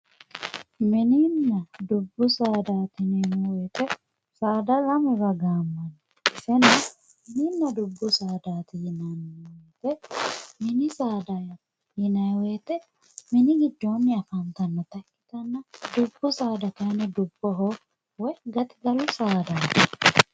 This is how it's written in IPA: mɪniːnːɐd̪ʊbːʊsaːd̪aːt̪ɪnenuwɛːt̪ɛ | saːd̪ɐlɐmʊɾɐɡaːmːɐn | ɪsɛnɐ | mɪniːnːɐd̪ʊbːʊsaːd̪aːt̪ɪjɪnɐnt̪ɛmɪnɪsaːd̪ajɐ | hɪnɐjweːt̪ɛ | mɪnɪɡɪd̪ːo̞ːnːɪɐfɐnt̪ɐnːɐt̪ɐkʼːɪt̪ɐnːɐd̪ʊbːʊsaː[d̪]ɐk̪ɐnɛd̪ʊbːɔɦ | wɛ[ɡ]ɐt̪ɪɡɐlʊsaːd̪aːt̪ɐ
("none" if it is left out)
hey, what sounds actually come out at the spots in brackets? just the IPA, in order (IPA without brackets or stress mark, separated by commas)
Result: d̪, ɡ